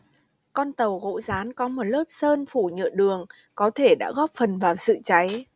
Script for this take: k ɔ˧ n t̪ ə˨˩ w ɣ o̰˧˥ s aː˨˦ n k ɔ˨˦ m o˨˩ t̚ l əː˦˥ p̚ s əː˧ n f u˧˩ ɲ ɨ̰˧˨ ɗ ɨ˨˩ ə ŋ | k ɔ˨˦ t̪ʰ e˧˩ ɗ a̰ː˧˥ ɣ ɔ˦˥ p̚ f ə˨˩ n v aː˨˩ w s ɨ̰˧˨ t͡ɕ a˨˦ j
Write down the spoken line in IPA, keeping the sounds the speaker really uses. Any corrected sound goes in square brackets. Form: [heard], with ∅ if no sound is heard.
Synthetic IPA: k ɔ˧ n t̪ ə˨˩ w ɣ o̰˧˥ [z] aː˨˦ n k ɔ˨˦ m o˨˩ t̚ l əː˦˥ p̚ s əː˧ n f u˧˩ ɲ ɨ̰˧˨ ɗ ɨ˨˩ ə ŋ | k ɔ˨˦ t̪ʰ e˧˩ ɗ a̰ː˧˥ ɣ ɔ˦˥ p̚ f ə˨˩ n v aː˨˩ w s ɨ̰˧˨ t͡ɕ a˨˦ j